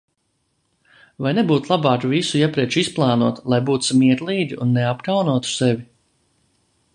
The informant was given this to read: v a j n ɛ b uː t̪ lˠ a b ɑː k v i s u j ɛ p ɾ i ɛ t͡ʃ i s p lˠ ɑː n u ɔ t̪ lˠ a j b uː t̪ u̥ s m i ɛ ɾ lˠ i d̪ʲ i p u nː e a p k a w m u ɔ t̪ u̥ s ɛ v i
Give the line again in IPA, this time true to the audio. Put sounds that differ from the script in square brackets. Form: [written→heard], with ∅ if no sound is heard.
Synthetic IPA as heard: v a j n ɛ b uː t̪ lˠ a b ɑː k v i s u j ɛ p ɾ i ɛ t͡ʃ i s p lˠ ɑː n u ɔ t̪ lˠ a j b uː t̪ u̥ s m i ɛ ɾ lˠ [i→iː] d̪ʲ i [p→∅] u nː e a p k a w [m→n] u ɔ t̪ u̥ s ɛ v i